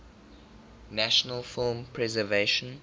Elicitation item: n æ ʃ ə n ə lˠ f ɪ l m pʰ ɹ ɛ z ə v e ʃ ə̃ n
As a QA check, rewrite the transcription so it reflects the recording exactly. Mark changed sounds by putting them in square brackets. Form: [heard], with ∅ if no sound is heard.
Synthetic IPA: n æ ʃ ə n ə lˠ f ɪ l m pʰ ɹ ɛ z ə v e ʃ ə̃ n